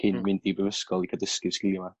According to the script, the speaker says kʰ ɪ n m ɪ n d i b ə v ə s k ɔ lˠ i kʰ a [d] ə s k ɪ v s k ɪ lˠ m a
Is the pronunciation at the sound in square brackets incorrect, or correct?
correct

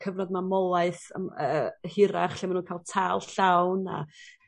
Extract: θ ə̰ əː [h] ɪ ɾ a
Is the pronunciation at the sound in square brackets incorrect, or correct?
correct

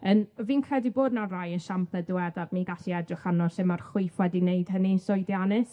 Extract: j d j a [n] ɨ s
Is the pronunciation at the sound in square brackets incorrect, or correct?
correct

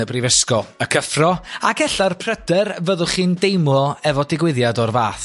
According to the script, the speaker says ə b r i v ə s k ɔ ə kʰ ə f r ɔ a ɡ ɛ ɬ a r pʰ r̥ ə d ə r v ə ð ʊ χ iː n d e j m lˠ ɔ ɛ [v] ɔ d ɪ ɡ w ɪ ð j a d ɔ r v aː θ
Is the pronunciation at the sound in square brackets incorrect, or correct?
correct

